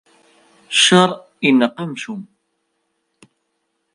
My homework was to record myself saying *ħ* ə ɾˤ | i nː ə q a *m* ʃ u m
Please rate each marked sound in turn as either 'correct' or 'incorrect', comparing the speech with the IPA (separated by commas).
incorrect, correct